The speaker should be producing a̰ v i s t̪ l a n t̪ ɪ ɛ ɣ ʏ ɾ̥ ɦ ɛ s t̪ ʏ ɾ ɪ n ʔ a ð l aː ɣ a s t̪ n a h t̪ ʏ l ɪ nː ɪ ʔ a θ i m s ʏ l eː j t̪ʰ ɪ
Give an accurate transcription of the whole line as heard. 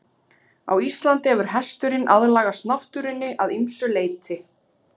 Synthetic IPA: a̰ w i s t̪ l a n t̪ ɪ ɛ v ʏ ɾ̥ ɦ ɛ s t̪ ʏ ɾ ɪ n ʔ a ð l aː ɣ a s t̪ n a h t̪ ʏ ɾ ɪ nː ɪ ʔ a ð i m s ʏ l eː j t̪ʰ ɪ